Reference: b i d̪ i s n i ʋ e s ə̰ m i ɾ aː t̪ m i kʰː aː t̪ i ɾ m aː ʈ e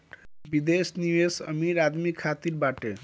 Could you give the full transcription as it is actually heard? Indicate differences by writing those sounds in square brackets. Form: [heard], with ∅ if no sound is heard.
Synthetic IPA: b i d̪ [e] s n i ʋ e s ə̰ m i ɾ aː [d̪] m i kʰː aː t̪ i ɾ [b] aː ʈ e